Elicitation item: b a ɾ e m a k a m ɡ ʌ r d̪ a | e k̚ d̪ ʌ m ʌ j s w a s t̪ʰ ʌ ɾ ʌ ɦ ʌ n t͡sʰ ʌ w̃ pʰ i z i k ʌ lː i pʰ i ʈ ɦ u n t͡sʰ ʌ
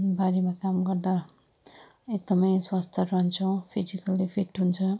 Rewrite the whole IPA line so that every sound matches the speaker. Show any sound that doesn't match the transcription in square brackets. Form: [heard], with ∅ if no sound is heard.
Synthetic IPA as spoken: b a ɾ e m a k a m ɡ ʌ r d̪ a | e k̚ d̪ ʌ m ʌ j s w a s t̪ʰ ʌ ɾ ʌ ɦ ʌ n t͡sʰ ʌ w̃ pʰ i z i k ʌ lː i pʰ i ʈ ɦ u n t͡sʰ ʌ